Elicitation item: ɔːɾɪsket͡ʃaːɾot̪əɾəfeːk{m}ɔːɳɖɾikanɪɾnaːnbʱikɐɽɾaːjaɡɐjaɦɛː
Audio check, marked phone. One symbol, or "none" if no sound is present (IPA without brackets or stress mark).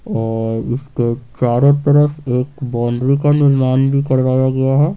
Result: b